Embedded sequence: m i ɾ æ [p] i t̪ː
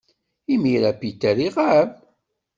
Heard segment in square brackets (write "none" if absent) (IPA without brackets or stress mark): p